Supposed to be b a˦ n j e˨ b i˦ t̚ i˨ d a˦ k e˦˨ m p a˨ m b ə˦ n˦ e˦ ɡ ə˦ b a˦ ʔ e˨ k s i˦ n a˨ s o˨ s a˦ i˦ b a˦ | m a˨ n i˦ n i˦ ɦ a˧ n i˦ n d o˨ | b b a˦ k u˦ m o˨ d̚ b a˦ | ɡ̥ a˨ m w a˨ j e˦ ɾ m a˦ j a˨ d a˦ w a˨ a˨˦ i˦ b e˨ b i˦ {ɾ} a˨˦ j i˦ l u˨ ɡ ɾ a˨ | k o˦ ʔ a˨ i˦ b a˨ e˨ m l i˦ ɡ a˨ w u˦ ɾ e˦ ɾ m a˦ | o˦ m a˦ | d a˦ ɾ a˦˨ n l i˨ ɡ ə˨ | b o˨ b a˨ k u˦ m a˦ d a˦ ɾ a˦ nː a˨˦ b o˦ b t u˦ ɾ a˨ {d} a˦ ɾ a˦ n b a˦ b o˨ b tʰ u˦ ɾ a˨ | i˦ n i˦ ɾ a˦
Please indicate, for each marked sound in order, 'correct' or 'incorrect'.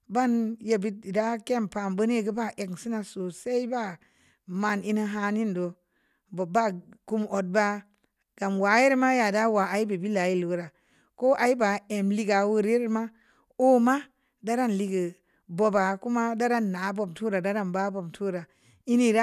incorrect, correct

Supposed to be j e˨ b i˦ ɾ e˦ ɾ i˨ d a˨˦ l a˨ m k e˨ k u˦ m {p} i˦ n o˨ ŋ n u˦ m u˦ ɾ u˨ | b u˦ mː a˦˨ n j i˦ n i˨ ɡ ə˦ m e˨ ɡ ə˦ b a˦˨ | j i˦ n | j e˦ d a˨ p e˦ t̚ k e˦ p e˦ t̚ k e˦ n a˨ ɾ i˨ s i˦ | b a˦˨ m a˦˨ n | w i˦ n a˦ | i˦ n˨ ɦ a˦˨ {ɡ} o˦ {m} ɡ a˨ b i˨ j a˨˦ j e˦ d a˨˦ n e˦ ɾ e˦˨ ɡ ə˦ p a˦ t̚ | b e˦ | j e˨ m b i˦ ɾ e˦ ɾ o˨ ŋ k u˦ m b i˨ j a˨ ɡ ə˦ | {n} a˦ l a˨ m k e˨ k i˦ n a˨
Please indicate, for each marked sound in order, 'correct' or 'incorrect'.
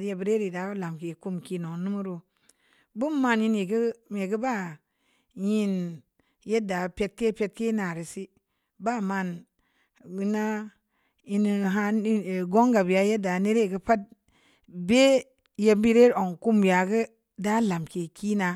incorrect, correct, incorrect, incorrect

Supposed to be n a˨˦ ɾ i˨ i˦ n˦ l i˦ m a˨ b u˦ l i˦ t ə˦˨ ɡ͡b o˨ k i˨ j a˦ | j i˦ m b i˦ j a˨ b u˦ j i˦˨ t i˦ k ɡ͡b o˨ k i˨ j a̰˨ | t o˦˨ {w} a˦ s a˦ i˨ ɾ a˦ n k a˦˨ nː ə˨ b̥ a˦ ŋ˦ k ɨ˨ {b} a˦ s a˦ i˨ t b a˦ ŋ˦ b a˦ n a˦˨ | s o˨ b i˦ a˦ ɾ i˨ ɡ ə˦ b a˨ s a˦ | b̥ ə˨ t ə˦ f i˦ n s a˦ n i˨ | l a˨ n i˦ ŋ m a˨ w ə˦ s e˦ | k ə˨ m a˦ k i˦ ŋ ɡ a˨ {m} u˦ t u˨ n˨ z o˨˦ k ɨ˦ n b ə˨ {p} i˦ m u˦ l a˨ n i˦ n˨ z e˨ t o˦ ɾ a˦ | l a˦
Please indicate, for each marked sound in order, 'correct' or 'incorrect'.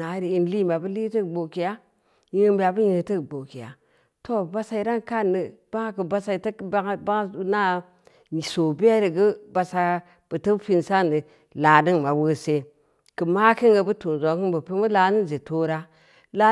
incorrect, correct, incorrect, correct

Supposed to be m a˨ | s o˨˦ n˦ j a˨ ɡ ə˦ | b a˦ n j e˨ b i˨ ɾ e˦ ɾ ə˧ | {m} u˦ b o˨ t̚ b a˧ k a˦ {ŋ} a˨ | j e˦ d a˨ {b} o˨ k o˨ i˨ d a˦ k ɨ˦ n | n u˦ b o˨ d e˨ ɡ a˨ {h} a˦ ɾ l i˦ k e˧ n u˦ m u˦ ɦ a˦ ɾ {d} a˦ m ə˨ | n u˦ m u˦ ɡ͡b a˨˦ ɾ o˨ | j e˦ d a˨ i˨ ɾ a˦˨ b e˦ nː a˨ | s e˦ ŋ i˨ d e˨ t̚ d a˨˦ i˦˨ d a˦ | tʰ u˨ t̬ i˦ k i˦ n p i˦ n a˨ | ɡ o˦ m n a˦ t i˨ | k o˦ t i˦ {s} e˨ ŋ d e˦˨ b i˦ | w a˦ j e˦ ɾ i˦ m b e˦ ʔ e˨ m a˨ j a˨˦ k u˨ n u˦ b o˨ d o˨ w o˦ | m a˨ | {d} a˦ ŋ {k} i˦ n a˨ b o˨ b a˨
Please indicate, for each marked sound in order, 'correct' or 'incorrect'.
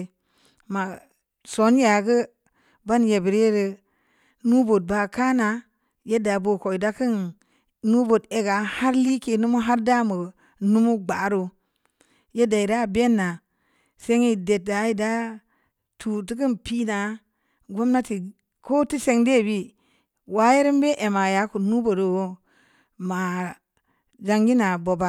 incorrect, incorrect, correct, correct, correct, correct, incorrect, incorrect

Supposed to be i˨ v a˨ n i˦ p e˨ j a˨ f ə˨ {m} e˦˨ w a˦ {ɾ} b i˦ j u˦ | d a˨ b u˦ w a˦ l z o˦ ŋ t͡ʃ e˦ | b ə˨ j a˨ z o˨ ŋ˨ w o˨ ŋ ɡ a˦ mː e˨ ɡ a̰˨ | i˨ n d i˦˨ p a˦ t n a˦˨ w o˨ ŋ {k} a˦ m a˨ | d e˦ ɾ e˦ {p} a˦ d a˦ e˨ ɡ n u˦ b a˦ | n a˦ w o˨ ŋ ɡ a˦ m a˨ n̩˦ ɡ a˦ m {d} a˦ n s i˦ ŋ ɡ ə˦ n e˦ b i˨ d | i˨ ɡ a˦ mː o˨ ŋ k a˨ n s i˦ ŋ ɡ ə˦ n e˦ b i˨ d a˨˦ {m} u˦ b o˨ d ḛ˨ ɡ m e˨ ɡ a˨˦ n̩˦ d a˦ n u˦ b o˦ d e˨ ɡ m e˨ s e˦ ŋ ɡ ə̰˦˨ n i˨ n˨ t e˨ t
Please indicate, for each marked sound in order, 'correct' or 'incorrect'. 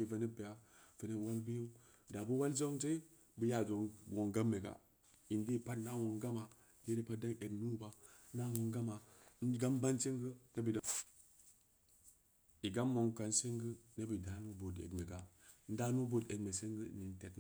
incorrect, incorrect, incorrect, correct, incorrect, incorrect

